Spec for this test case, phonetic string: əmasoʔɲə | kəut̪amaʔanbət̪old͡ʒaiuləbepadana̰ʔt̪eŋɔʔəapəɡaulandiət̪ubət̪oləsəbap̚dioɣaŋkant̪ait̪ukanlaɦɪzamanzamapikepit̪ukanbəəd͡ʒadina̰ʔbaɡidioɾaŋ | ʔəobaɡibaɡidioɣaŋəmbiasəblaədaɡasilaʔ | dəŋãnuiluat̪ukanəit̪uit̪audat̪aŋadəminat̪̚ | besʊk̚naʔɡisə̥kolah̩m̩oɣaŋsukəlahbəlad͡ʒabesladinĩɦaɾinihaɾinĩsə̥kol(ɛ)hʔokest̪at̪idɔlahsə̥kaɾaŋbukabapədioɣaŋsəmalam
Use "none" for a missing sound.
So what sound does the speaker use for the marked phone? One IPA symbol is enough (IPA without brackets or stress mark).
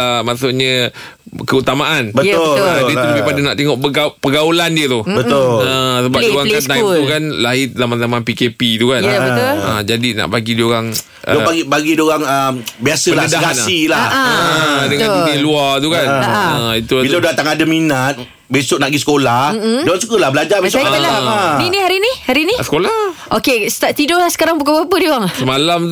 a